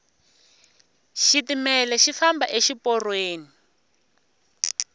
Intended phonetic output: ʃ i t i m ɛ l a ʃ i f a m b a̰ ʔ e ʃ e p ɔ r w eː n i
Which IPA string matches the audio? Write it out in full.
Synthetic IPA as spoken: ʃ i t i m ɛ l ɛ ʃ i f a m b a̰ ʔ e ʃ i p ɔ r w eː n i

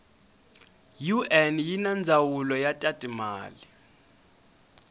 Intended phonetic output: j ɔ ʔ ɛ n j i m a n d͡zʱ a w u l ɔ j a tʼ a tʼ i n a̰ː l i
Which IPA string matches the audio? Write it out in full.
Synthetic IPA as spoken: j u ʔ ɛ n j i n a n d͡zʱ a w u l ɔ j a tʼ a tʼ i m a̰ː l i

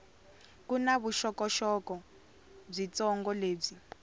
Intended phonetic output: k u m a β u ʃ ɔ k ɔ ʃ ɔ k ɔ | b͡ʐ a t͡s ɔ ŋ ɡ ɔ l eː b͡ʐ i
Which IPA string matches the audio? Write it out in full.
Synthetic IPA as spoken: k u n a β u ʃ ɔ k ɔ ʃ ɔ k ɔ | b͡ʐ i t͡s ɔ ŋ ɡ ɔ l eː b͡ʐ i

